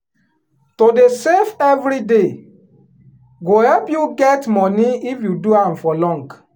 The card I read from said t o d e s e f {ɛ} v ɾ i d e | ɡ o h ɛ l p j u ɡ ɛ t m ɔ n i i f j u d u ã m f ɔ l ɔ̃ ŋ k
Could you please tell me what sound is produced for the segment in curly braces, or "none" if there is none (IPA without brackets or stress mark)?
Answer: ɛ